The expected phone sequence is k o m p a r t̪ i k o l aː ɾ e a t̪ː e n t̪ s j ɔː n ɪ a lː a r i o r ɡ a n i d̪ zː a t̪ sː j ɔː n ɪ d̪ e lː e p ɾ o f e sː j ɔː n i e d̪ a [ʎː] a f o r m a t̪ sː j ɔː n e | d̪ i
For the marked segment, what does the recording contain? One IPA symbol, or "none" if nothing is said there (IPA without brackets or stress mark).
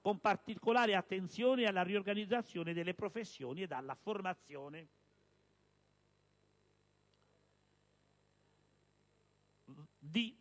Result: lː